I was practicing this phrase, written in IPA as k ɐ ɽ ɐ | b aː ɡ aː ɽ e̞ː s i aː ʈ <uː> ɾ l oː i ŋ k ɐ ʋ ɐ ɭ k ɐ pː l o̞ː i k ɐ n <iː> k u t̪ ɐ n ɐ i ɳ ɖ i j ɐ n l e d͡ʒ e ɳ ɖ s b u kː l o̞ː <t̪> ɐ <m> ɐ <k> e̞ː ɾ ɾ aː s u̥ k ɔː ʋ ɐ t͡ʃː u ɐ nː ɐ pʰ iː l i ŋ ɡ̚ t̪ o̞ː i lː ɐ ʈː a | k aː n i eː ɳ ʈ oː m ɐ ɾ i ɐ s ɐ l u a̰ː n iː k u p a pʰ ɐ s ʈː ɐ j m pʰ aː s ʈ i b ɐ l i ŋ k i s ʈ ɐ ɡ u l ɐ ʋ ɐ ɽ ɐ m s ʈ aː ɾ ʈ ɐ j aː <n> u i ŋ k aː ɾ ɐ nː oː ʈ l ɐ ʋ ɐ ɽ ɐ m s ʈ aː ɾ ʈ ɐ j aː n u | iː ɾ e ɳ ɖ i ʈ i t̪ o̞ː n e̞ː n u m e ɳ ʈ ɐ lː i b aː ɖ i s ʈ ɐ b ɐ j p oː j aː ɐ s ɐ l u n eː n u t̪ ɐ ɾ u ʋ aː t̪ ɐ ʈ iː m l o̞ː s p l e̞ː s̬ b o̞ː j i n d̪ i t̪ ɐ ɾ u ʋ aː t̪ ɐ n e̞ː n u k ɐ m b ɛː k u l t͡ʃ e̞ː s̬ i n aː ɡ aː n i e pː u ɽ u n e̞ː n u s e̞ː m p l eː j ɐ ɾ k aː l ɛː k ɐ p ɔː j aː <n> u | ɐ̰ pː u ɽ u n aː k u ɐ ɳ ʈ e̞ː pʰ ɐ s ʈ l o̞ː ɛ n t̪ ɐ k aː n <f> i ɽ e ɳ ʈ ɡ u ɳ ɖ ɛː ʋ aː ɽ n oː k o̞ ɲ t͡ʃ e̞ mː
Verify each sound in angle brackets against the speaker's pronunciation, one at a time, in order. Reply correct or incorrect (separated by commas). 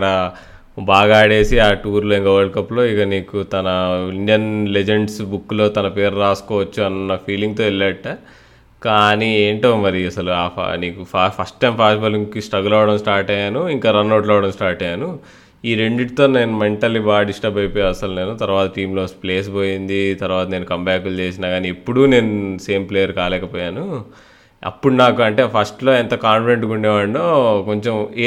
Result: correct, correct, correct, incorrect, incorrect, correct, correct, correct